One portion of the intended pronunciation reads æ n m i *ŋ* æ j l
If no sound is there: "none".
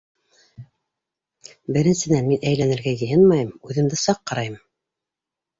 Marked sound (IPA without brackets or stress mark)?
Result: n